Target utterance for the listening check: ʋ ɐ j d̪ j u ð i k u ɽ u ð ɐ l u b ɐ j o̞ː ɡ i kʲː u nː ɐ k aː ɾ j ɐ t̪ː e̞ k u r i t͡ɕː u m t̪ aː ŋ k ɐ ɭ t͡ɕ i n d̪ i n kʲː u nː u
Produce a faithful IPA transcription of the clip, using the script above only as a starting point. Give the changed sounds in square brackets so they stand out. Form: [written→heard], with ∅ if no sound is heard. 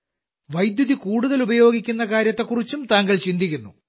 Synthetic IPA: ʋ ɐ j d̪ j u ð i k [u→uː] ɽ u ð ɐ l u b ɐ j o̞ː ɡ i kʲː u nː ɐ k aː ɾ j ɐ t̪ː e̞ k u r i t͡ɕː u m t̪ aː ŋ [k→ɡ] ɐ ɭ t͡ɕ i n d̪ i [n→∅] kʲː u nː u